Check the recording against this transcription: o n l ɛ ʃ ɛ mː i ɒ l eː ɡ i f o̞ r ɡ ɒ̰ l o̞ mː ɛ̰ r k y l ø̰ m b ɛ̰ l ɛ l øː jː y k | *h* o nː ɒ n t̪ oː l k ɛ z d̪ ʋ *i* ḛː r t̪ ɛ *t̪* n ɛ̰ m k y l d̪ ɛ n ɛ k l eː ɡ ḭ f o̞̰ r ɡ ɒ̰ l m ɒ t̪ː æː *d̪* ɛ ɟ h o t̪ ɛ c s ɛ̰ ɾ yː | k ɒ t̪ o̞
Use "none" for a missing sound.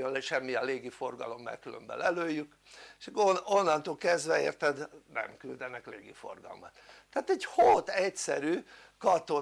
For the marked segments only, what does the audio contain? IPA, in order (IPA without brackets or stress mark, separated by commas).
ʃ, ɛ, d̪, t̪